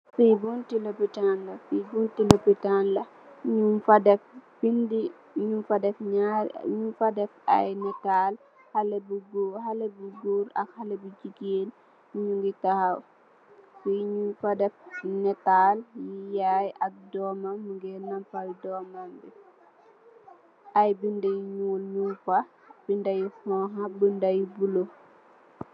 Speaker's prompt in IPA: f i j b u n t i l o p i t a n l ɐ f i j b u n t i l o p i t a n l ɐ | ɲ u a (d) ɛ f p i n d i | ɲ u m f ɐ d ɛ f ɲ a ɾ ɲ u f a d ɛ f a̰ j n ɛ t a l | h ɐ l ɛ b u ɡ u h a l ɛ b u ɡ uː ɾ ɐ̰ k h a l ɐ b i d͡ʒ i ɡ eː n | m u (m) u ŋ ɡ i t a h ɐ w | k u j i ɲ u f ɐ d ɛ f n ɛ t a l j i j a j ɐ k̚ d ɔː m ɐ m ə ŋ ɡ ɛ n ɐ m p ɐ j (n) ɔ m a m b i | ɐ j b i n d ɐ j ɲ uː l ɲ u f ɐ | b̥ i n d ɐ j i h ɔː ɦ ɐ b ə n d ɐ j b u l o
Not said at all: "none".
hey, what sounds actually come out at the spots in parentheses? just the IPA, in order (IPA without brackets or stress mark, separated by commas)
d, ɲ, d